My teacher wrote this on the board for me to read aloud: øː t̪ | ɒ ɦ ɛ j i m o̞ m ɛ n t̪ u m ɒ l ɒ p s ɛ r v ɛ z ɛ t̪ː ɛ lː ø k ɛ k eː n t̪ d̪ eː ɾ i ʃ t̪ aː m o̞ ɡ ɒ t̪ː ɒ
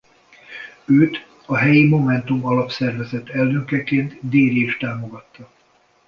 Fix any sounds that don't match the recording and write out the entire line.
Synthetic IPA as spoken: øː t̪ | ɒ ɦ ɛ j i m o̞ m ɛ n t̪ u m ɒ l ɒ p s ɛ r v ɛ z ɛ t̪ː ɛ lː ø k ɛ k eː n t̪ d̪ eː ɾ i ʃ t̪ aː m o̞ ɡ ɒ t̪ː ɒ